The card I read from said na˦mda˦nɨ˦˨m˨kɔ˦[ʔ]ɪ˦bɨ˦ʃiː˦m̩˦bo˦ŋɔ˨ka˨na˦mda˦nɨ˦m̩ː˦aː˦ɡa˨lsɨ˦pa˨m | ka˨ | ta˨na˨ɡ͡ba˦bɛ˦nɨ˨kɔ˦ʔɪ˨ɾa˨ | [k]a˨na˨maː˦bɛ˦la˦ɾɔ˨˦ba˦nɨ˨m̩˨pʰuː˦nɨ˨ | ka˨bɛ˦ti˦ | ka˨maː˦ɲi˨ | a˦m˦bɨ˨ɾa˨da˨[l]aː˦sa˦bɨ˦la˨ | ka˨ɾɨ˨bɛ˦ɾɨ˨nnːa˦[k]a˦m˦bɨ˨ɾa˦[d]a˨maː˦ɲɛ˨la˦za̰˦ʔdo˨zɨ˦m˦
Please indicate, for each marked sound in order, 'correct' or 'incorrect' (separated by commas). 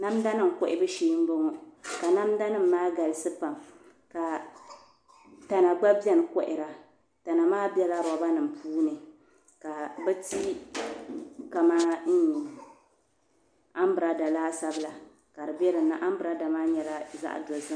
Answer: correct, incorrect, correct, incorrect, correct